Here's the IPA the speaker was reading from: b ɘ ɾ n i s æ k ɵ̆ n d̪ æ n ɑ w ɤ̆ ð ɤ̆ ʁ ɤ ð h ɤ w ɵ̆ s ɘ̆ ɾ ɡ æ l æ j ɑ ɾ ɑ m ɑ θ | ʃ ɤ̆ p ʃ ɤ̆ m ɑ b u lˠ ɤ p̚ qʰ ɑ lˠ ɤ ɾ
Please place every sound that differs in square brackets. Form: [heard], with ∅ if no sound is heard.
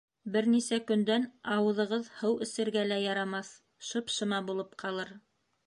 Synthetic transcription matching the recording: b ɘ ɾ n i s æ k ɵ̆ n d̪ æ n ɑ w ɤ̆ ð ɤ̆ ʁ ɤ ð h ɤ w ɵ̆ s ɘ̆ ɾ ɡ æ l æ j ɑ ɾ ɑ m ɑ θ | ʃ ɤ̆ p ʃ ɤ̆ m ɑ b u lˠ ɤ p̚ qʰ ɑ lˠ ɤ ɾ